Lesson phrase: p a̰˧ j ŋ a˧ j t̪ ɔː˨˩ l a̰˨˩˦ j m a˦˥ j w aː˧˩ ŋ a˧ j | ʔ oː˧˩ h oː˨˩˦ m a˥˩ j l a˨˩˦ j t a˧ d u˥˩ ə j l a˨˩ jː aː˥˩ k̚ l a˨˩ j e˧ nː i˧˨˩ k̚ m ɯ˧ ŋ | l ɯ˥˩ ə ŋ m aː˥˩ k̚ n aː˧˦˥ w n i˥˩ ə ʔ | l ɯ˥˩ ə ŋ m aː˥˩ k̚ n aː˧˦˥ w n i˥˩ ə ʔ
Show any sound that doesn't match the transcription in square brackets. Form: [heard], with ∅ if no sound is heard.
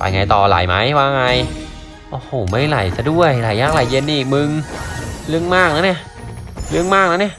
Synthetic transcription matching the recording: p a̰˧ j ŋ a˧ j t̪ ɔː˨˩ l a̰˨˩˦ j m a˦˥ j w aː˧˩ ŋ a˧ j | ʔ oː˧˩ h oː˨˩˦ m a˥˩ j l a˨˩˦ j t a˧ d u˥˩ ə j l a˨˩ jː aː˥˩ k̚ l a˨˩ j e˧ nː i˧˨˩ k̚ m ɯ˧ ŋ | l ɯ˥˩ ə ŋ m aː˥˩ k̚ n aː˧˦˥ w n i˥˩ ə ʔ | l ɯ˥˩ ə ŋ m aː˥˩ k̚ n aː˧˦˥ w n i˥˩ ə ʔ

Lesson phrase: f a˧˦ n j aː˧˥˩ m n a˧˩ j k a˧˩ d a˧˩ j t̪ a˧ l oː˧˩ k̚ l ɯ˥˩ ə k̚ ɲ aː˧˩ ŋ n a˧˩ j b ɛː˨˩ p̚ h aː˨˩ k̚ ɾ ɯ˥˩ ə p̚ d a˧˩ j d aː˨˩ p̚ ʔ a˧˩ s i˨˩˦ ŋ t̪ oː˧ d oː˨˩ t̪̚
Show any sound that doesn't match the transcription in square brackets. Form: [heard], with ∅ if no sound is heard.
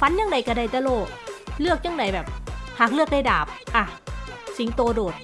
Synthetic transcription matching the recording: f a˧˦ n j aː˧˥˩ [ŋ] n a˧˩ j k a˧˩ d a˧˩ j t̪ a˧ l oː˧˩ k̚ l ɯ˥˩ ə k̚ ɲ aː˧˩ ŋ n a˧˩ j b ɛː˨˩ p̚ h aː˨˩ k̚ [l] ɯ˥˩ ə [k̚] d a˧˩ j d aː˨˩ p̚ ʔ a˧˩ s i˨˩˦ ŋ t̪ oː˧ d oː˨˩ t̪̚

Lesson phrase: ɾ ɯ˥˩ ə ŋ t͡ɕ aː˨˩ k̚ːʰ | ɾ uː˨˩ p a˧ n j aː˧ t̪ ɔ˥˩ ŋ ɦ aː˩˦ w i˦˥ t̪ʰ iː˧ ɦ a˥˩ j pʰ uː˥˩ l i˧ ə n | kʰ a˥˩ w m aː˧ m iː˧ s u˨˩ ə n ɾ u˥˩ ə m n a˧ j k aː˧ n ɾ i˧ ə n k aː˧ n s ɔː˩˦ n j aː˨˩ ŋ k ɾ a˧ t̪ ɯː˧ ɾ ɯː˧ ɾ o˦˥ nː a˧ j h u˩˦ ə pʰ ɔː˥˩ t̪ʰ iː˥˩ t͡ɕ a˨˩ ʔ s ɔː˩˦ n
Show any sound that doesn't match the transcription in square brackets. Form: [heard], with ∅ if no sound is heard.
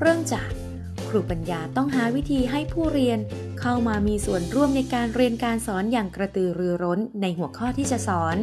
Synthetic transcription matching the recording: ɾ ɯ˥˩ ə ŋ t͡ɕ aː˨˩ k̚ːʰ | ɾ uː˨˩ p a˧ n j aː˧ t̪ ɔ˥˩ ŋ ɦ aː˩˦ w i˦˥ t̪ʰ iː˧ ɦ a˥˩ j pʰ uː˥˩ [ɾ] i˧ ə n | kʰ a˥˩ w m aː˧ m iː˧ s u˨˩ ə n ɾ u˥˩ ə m n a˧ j k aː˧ n ɾ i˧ ə n k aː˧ n s ɔː˩˦ n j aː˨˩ ŋ k ɾ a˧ t̪ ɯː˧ ɾ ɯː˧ ɾ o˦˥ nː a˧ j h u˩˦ ə [kʰ] ɔː˥˩ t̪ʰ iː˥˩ t͡ɕ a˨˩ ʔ s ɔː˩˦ n

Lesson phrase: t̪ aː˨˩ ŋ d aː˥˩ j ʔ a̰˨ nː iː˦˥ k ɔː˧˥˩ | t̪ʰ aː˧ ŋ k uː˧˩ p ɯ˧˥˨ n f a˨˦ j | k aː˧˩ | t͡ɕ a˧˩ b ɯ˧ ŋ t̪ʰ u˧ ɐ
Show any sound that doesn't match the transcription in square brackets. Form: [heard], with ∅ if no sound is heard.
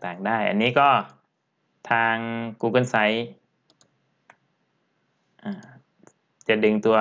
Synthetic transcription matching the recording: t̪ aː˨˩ ŋ d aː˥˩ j ʔ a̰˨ nː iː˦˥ k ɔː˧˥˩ | t̪ʰ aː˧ ŋ k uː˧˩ [k] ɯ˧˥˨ n [s] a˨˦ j | [ʔ] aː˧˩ | t͡ɕ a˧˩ [d] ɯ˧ ŋ [t̪] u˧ ɐ

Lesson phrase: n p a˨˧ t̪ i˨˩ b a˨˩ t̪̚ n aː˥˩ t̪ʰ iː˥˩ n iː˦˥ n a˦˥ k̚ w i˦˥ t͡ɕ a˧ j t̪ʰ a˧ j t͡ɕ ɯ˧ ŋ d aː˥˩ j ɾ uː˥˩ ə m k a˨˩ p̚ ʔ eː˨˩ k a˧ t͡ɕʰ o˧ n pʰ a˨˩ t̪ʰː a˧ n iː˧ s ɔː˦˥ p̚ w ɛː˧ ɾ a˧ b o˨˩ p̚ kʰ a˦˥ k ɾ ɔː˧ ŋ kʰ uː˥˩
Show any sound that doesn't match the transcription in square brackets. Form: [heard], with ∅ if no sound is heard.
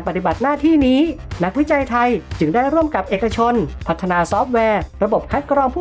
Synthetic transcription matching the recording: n p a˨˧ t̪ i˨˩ b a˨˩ t̪̚ n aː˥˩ t̪ʰ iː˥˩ n iː˦˥ n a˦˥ k̚ w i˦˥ t͡ɕ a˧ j t̪ʰ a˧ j t͡ɕ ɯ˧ ŋ d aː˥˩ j ɾ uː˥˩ ə m k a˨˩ p̚ ʔ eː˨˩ k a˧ t͡ɕʰ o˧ n pʰ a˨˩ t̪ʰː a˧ n [aː˧] s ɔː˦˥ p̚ w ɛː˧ ɾ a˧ b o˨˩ p̚ kʰ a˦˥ k ɾ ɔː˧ ŋ [pʰ] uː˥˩

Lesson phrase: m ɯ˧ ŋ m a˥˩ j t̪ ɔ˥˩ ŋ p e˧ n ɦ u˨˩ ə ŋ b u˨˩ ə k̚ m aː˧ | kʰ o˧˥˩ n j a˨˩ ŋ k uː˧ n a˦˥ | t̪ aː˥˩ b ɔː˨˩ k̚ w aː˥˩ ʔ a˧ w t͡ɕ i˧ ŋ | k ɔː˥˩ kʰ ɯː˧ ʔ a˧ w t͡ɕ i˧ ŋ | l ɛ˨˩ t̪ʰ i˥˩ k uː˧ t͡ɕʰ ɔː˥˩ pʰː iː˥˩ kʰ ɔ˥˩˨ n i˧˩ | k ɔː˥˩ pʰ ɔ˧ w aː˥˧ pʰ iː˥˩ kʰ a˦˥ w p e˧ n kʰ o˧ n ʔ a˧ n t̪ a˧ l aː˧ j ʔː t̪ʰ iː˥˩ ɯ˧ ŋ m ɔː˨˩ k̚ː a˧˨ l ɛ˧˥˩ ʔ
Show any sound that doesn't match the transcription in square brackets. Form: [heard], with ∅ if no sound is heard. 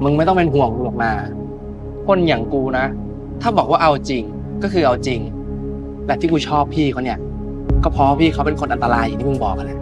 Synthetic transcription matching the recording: m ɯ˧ ŋ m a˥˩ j t̪ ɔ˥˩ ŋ p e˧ n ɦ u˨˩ ə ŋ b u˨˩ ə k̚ m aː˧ | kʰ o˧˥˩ n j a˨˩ ŋ k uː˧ n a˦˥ | [t̪ʰ] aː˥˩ b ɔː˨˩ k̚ w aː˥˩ ʔ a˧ w t͡ɕ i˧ ŋ | k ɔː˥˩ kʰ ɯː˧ ʔ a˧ w t͡ɕ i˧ ŋ | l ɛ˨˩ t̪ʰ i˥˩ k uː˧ t͡ɕʰ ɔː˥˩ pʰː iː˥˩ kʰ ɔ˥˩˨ n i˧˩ | k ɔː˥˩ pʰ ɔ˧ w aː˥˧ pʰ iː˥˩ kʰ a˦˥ w p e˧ n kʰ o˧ n ʔ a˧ n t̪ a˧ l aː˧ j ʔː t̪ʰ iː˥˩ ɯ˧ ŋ [b] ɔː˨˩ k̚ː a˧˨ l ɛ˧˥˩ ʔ

